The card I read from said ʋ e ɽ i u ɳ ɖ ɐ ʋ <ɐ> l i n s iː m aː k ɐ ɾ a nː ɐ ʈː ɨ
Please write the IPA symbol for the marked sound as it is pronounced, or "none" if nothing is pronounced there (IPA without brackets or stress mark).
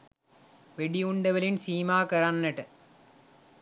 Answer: ɐ